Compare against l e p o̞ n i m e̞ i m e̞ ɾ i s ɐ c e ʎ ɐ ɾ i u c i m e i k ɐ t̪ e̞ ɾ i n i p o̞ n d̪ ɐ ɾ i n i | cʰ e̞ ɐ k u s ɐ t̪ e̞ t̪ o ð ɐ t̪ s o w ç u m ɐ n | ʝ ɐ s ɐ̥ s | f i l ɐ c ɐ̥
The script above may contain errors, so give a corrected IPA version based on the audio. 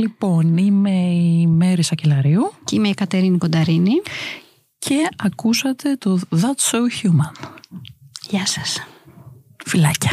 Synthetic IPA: l i p o̞ n i m e̞ i m e̞ ɾ i s ɐ c e l ɐ ɾ i u c i m e i k ɐ t̪ e̞ ɾ i n i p o̞ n d̪ ɐ ɾ i n i | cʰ e̞ ɐ k u s ɐ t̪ e̞ t̪ o ð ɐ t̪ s o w ç u m ɐ n | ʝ ɐ s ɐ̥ s | f i l ɐ c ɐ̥